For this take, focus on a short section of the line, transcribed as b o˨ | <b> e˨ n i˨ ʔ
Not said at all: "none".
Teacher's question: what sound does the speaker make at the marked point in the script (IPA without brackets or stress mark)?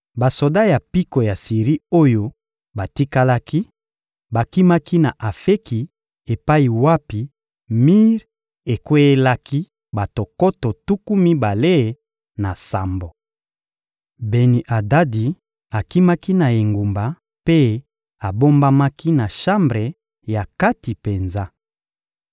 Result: b